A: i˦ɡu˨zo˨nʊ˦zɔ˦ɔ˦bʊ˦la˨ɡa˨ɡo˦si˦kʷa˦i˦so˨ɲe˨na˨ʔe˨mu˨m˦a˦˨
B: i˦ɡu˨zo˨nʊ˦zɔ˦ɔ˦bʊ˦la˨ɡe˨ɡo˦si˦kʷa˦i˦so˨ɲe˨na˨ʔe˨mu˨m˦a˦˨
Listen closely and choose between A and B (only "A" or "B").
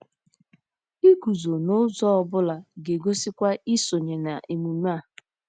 B